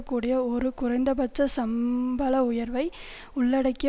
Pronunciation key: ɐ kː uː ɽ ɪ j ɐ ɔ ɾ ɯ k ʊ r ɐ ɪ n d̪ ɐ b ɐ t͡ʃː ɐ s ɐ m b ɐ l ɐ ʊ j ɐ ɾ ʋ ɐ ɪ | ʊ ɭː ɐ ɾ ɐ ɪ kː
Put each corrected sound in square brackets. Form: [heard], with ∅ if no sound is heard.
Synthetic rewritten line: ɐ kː uː ɽ ɪ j ɐ ɔ ɾ ɯ k ʊ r ɐ ɪ n d̪ ɐ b ɐ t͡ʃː ɐ s ɐ m b ɐ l ɐ ʊ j ɐ ɾ ʋ ɐ ɪ | ʊ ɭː ɐ [ɽ] ɐ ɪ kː